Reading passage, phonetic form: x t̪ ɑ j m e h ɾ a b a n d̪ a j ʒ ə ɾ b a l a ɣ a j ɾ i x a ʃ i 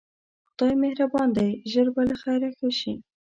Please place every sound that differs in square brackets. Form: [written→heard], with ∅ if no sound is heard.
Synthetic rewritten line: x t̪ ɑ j m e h ɾ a b [a→ɑ] n d̪ a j ʒ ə ɾ b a l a [ɣ→x] a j ɾ [i→a] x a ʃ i